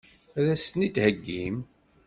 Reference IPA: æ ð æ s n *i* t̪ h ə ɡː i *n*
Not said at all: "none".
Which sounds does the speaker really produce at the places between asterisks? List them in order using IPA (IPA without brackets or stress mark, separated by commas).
i, m